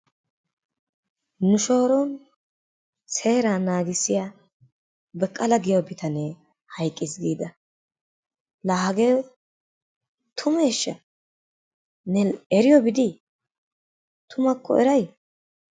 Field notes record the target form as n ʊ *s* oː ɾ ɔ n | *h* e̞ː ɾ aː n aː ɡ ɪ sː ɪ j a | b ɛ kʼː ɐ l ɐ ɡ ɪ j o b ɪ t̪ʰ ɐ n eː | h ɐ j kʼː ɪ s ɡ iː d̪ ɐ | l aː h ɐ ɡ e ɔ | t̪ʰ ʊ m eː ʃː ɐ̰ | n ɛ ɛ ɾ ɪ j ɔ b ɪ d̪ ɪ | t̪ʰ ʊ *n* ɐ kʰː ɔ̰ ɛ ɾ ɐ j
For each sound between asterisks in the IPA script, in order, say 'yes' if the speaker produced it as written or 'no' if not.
no, no, no

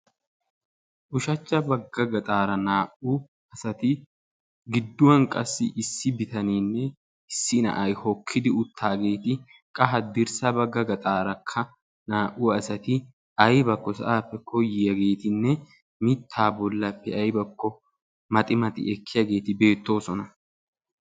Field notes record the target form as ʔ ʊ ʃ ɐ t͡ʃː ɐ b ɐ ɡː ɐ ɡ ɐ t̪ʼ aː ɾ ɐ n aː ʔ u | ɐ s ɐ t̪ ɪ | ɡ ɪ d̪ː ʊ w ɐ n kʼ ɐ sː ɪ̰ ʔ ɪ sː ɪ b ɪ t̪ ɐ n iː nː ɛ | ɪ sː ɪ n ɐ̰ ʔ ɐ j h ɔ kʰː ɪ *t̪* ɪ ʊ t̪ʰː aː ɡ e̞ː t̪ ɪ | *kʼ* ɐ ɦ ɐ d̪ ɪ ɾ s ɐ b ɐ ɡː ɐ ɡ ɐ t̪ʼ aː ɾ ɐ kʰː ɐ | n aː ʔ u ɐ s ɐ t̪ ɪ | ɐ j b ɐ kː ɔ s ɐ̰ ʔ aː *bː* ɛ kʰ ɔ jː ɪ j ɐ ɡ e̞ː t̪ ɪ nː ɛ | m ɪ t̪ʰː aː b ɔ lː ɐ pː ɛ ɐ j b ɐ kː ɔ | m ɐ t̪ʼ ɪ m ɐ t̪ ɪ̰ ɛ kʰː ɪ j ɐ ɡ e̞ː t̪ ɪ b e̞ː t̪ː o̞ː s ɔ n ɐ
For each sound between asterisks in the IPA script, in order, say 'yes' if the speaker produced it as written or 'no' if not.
no, yes, no

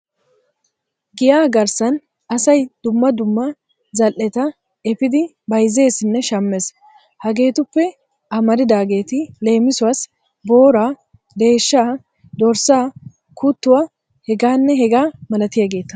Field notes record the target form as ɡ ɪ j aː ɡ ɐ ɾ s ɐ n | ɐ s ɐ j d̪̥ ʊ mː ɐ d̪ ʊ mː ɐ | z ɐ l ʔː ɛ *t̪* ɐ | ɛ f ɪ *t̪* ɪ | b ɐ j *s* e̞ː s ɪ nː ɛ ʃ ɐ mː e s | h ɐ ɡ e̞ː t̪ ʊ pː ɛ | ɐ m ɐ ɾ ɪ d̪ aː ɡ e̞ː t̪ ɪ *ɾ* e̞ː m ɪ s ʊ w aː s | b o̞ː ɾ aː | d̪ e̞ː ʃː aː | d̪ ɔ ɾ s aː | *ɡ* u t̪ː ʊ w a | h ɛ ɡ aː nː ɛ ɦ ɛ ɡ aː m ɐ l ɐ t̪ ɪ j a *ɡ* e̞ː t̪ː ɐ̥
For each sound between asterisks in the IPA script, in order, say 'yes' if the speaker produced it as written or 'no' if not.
yes, no, no, no, no, yes

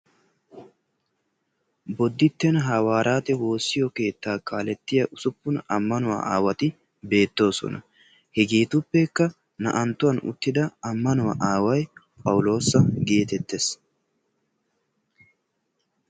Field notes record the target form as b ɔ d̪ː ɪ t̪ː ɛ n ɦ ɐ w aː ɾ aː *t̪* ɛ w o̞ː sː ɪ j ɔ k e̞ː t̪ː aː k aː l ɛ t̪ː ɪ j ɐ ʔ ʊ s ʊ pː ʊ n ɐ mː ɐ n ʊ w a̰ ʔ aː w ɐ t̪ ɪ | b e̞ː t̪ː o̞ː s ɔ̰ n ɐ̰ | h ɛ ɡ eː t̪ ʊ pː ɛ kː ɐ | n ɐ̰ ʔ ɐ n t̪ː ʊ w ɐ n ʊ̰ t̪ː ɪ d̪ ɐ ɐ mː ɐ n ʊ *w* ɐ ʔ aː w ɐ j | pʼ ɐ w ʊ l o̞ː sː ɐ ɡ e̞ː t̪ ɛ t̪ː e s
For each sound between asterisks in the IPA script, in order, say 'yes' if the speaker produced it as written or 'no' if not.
yes, yes

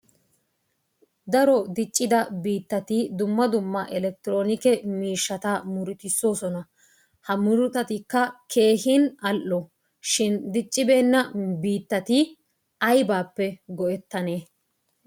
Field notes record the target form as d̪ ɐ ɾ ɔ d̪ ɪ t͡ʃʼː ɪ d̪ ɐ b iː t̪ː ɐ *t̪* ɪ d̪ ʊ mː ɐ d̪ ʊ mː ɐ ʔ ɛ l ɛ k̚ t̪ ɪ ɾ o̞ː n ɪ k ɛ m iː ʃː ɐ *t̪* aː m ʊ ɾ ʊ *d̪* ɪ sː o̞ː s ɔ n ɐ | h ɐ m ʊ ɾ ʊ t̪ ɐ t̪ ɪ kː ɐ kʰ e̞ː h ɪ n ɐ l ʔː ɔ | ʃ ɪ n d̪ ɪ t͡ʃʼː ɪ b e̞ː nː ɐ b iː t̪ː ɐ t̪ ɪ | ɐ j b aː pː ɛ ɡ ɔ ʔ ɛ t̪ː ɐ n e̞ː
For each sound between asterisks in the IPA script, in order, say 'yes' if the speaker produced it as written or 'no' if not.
yes, yes, no

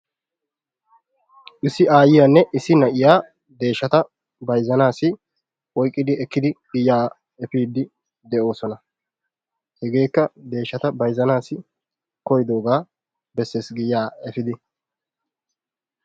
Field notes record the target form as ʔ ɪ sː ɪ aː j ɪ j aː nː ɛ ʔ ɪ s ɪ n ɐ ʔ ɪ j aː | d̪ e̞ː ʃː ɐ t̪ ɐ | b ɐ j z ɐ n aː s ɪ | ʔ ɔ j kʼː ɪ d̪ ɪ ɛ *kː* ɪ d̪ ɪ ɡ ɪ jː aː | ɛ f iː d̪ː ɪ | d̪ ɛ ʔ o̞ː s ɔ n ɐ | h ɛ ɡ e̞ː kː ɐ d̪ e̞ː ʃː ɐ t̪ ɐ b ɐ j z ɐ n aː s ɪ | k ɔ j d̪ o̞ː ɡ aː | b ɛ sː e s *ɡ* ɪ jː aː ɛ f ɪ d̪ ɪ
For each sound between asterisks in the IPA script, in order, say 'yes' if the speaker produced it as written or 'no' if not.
yes, yes

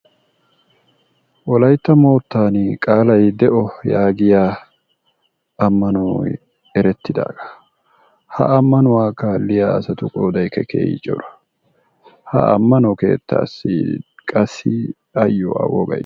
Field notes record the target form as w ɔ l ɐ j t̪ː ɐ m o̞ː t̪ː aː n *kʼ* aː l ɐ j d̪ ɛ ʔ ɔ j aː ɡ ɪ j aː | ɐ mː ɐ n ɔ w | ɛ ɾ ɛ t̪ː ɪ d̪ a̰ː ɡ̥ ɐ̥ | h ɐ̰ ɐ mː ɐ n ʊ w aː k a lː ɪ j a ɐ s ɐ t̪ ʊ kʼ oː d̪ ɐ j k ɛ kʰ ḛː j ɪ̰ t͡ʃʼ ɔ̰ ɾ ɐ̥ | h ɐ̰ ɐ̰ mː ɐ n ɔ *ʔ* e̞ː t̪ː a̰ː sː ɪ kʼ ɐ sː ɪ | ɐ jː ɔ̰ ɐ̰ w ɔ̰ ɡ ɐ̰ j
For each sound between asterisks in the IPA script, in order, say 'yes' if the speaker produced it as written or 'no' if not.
yes, no

